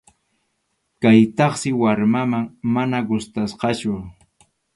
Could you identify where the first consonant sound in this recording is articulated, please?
velar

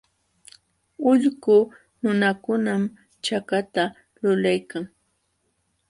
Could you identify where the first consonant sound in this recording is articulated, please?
palatal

